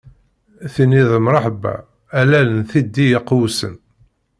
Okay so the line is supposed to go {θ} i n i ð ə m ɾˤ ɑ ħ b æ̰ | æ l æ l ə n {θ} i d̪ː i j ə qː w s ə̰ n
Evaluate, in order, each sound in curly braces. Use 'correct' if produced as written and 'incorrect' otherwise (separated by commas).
correct, correct